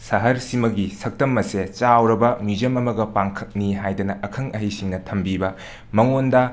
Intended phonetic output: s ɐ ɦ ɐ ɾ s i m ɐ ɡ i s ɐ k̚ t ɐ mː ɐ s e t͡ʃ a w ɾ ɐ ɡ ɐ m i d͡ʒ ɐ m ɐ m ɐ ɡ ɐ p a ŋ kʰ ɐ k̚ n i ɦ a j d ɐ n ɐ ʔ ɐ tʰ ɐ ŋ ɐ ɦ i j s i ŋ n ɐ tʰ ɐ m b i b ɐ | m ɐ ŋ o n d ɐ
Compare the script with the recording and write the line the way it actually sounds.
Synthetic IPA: s ɐ ɦ ɐ ɾ s i m ɐ ɡ i s ɐ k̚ t ɐ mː ɐ s e t͡ʃ a w ɾ ɐ b ɐ m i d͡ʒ ɐ m ɐ m ɐ ɡ ɐ p a ŋ kʰ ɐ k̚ n i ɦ a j d ɐ n ɐ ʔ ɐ kʰ ɐ ŋ ɐ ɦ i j s i ŋ n ɐ tʰ ɐ m b i b ɐ | m ɐ ŋ o n d ɐ